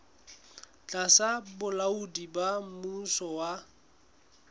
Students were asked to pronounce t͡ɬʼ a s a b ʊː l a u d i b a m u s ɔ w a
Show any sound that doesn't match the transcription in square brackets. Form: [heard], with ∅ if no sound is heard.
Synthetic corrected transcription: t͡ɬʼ a s a b [ʊ] l a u d i b a m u s ɔ w a